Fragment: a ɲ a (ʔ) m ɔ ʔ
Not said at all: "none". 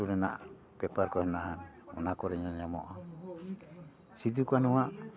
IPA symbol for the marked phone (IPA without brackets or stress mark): none